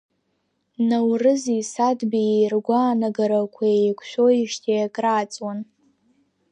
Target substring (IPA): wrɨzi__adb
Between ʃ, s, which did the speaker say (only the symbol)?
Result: s